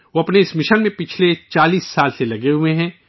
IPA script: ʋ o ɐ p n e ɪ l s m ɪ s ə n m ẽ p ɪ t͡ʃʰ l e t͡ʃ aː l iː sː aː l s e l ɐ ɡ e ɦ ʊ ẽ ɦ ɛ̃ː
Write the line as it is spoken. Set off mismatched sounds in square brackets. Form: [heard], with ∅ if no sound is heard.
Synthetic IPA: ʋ o ɐ p n e ɪ [∅] s m ɪ [ʃ] ə n m ẽ p ɪ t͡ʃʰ l e t͡ʃ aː l iː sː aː l s e l ɐ ɡ e ɦ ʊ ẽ ɦ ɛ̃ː